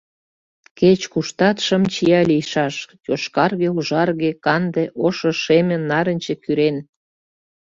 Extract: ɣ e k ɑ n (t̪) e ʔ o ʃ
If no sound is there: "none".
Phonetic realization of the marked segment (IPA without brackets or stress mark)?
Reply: d̪